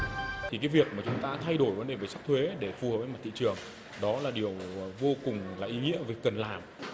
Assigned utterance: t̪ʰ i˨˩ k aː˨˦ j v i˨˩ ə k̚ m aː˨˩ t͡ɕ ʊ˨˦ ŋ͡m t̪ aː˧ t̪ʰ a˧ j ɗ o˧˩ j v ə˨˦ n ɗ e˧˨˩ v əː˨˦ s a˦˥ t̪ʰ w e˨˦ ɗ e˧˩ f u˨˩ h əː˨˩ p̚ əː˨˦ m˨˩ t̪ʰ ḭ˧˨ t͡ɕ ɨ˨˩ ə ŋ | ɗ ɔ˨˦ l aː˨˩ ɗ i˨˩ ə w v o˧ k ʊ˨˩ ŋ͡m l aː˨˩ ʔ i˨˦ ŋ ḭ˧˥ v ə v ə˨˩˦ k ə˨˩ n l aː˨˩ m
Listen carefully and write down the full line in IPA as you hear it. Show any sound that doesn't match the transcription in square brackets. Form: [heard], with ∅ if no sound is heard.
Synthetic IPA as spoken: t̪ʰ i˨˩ k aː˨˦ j v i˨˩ ə k̚ m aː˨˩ t͡ɕ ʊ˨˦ ŋ͡m t̪ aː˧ t̪ʰ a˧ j ɗ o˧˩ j v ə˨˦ n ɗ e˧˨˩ v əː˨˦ s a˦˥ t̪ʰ w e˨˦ ɗ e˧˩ f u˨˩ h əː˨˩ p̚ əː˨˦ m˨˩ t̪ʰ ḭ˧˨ t͡ɕ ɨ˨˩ ə ŋ | ɗ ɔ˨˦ l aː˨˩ ɗ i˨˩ ə w v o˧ k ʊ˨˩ ŋ͡m l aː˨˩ ʔ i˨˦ ŋ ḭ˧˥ [∅] ə v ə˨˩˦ k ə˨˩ n l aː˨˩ m